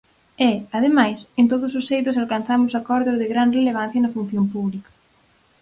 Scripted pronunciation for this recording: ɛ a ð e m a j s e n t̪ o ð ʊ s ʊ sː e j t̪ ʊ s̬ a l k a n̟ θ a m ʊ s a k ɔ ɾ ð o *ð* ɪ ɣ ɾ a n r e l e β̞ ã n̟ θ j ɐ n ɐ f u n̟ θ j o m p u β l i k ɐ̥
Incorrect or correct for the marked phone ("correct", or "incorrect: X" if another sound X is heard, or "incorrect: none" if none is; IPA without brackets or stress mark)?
correct